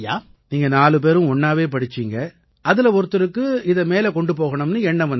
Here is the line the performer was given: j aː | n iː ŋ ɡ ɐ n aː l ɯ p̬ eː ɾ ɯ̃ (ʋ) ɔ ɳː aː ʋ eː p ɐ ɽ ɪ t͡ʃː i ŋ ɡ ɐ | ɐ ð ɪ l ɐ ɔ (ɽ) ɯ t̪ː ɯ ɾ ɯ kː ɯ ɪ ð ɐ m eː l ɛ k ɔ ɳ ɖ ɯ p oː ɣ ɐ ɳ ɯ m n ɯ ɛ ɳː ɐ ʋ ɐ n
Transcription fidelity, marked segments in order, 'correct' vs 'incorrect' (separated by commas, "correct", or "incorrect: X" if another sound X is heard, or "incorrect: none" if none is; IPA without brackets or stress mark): incorrect: none, incorrect: ɾ